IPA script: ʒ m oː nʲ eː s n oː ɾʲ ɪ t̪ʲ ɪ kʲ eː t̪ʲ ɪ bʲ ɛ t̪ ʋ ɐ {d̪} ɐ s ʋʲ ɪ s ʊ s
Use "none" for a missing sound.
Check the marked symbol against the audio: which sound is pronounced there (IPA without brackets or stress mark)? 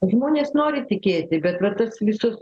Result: t̪